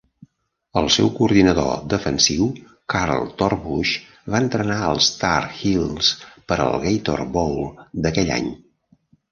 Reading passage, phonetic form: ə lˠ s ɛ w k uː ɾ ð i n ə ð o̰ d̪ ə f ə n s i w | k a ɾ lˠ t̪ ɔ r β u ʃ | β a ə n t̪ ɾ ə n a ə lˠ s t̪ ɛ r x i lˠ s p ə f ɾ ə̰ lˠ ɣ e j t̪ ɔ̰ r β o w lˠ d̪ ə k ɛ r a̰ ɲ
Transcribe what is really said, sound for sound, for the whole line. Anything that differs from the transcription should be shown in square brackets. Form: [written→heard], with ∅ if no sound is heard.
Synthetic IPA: ə lˠ s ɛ w k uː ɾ ð i n ə ð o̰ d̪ ə f ə n s i w | k a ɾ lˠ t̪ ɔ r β u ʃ | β a ə n t̪ ɾ ə n a ə lˠ s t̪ [ɛ→a] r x i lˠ s p ə [f→∅] ɾ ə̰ lˠ ɣ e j t̪ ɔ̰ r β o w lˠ d̪ ə k ɛ [r→ʎ] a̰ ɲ